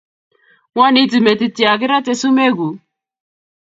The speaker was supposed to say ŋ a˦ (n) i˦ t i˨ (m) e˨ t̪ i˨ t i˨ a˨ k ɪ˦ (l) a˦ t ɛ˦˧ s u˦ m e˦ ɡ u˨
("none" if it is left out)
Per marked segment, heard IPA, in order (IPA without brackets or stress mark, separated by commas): n, m, ɾ